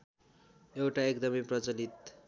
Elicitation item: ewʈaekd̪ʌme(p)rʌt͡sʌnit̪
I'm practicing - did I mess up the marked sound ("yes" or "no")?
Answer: no